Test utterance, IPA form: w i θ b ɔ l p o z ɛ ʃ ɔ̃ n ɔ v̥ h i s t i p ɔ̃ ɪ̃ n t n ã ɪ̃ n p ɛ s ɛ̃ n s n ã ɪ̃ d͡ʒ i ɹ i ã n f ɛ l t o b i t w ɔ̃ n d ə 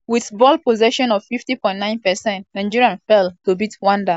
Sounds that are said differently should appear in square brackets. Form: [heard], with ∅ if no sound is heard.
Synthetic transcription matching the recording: w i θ b ɔ l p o z ɛ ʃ ɔ̃ n ɔ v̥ [f] i [f] t i p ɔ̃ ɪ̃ n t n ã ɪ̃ n p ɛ s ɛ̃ n [t] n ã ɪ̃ d͡ʒ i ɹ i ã n f ɛ l t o b i t w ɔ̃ n d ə